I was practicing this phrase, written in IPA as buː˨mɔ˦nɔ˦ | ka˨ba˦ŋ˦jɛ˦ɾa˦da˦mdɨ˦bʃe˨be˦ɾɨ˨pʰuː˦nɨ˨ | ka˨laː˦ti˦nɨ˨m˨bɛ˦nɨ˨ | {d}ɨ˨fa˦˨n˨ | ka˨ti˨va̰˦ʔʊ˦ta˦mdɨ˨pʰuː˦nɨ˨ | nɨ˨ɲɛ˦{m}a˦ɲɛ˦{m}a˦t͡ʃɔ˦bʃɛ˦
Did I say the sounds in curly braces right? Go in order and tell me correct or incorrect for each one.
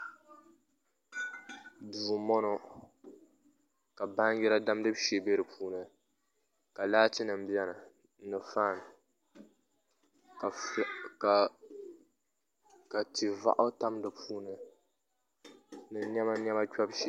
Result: incorrect: n, correct, correct

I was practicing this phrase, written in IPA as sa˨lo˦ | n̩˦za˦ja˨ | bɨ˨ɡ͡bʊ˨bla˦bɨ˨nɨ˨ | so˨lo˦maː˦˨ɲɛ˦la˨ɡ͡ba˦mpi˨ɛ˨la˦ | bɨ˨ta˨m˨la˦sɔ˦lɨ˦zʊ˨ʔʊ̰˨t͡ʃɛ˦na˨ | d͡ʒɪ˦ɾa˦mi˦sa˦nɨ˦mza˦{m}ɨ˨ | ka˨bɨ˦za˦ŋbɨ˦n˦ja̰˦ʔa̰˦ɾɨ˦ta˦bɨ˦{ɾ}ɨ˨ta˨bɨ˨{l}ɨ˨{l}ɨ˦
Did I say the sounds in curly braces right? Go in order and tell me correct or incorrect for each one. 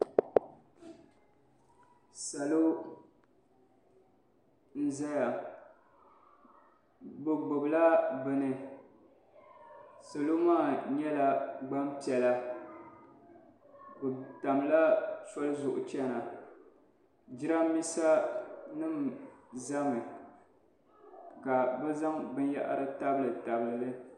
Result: correct, incorrect: l, correct, correct

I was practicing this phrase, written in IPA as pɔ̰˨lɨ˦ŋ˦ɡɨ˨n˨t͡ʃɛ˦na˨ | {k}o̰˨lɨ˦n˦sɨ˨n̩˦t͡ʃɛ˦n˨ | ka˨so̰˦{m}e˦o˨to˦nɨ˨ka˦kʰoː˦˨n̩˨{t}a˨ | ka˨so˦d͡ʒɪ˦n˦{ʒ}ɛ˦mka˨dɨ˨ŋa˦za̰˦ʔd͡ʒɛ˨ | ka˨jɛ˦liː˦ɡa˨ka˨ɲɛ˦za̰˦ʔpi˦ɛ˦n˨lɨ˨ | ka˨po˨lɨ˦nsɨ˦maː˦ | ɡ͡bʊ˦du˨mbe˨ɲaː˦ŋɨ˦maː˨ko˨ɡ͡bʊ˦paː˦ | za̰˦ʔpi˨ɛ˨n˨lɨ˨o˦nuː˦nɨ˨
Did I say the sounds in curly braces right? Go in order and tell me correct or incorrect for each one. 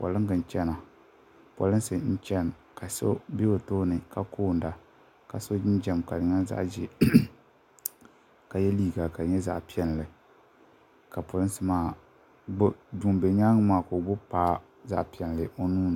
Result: incorrect: p, incorrect: b, incorrect: d, incorrect: d͡ʒ

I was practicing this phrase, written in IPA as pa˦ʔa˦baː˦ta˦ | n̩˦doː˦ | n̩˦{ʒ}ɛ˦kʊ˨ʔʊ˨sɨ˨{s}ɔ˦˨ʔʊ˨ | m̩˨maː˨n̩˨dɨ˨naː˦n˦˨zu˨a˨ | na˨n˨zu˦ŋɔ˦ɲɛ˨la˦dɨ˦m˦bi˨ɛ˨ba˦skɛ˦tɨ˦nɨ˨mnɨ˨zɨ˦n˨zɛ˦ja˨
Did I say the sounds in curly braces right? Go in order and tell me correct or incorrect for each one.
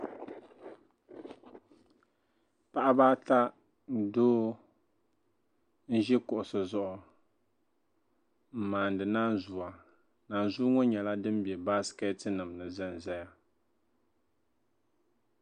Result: correct, incorrect: z

